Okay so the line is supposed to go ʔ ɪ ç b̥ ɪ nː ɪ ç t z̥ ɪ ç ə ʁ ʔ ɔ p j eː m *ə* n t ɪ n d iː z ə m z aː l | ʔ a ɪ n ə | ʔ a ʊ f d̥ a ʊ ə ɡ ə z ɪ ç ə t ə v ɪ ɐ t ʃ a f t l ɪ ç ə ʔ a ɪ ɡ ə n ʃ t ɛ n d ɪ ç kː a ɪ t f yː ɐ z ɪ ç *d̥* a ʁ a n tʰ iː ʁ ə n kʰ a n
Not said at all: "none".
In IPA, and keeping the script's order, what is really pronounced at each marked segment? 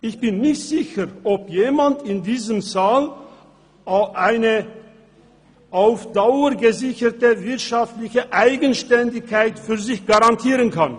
a, ɡ̥

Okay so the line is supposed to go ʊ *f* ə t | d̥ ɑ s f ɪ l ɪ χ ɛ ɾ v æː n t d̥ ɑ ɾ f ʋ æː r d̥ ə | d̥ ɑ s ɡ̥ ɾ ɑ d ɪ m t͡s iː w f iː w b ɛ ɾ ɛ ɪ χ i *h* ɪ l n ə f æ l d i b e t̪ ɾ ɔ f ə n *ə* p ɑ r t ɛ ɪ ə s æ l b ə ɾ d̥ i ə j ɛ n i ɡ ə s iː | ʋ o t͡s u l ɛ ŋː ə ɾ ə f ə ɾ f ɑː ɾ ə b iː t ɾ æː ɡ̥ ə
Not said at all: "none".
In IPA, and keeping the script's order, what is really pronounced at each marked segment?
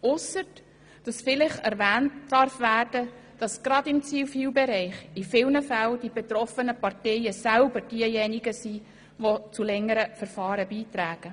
s, f, ə

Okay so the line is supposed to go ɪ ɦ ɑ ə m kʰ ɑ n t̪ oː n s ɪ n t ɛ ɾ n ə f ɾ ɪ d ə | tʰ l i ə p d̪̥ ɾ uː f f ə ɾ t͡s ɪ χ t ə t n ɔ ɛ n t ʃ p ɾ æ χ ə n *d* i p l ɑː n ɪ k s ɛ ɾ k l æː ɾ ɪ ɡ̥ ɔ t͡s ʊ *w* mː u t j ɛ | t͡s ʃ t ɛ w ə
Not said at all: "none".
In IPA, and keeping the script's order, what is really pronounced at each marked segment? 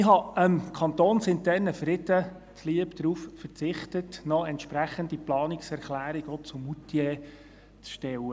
d, none

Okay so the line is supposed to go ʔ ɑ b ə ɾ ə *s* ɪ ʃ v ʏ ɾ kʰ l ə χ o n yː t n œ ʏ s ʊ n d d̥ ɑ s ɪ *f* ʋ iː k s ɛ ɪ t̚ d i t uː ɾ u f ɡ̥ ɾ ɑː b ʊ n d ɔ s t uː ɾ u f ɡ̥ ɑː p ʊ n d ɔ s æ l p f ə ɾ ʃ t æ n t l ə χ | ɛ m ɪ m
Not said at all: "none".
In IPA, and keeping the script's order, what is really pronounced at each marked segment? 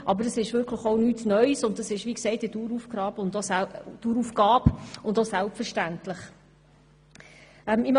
s, ʃ

